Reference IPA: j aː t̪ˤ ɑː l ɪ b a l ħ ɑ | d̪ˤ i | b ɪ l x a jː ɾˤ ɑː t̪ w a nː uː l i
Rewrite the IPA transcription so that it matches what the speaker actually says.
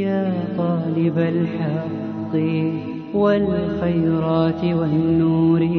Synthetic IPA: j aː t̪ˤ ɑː l ɪ b a l ħ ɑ | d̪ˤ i | w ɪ l x a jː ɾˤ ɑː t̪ w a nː uː ɾ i

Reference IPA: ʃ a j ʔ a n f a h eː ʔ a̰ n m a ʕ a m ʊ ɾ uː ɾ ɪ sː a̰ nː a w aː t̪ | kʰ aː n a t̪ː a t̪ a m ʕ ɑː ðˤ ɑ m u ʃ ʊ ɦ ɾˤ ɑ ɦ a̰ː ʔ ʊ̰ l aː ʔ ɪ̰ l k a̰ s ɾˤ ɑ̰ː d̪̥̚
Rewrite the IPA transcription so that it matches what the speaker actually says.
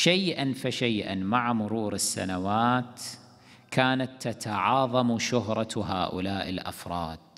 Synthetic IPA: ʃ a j ʔ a n f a ʃ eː ʔ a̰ n m a ʕ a m ʊ ɾ uː ɾ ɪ sː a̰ n a w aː t̪ | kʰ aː n a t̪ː a t̪ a ʕ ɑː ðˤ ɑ m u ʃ ʊ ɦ ɾˤ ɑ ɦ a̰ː ʔ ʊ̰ l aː ʔ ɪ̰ l ʔ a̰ f ɾˤ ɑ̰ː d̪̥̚

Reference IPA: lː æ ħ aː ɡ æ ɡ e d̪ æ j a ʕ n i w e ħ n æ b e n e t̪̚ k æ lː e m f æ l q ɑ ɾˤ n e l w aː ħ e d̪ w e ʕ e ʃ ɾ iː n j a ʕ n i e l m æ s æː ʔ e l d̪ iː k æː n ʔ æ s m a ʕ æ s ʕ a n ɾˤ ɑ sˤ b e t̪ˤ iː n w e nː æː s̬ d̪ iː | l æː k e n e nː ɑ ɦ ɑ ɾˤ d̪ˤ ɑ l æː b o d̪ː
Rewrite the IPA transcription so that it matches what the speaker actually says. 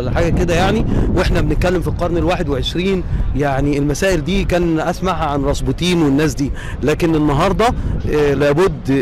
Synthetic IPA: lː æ ħ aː ɡ æ k e d̪ æ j a ʕ n i w e ħ n æ b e n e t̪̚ k æ lː e m f i l q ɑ ɾˤ n e l w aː ħ e d̪ w e ʕ e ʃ ɾ iː n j a ʕ n i e l m æ s æː ʔ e l d̪ iː k æː n ʔ æ s m a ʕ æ ʕ a n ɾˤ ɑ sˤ b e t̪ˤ iː n w e nː æː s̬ d̪ iː | l æː k e n e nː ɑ ɦ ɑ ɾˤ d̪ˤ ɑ l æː b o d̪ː

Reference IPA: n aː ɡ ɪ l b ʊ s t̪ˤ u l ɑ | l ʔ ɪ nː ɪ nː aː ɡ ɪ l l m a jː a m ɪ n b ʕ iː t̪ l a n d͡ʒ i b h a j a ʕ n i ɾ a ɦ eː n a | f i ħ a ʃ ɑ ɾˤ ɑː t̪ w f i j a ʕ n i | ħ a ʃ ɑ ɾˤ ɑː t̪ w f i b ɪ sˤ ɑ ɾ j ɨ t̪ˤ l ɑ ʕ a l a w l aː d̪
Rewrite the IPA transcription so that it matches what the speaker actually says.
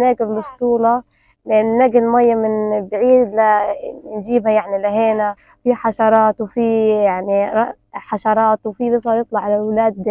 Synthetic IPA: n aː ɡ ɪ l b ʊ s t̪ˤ uː l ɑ | l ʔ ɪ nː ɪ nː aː ɡ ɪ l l m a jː a m ɪ n b ʕ iː d̪ l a n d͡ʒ iː b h a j a ʕ n i l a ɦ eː n a | f i ħ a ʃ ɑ ɾˤ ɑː t̪ w f i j a ʕ n i | ħ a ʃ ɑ ɾˤ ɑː t̪ w f i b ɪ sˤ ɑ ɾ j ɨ t̪ˤ l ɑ ʕ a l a w l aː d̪

